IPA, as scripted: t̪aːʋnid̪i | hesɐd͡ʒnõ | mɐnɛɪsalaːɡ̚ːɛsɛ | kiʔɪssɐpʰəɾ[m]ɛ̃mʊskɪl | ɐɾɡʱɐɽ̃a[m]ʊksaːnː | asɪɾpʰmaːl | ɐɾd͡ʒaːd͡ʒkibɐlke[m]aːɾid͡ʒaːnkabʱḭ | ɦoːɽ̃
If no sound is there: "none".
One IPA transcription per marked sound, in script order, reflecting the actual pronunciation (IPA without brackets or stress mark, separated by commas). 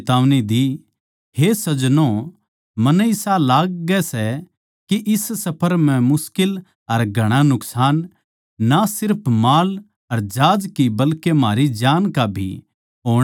m, n, m